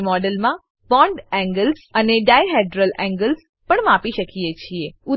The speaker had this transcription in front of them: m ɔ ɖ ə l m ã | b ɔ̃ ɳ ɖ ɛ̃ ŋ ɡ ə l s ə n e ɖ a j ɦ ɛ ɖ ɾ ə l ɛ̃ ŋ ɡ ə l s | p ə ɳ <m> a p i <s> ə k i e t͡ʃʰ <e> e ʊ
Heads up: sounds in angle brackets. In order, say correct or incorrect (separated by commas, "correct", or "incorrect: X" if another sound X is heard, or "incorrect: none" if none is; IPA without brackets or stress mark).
correct, incorrect: ʃ, incorrect: i